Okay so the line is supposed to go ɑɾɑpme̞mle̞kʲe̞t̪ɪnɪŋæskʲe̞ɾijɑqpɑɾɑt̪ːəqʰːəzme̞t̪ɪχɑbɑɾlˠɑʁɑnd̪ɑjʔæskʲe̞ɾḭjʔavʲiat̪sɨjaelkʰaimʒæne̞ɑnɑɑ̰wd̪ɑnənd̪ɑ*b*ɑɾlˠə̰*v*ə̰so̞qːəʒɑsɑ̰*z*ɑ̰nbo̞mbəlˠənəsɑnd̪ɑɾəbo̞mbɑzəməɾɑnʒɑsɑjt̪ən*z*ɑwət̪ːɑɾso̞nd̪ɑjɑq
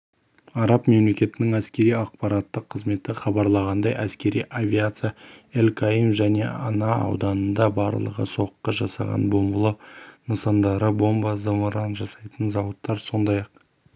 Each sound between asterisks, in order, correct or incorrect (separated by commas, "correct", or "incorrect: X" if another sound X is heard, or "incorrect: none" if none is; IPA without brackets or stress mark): correct, incorrect: ʁ, incorrect: ʁ, correct